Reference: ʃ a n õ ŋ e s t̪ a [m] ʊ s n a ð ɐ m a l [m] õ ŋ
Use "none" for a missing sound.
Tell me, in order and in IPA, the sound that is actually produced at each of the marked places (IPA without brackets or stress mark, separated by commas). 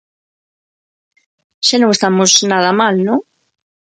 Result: m, n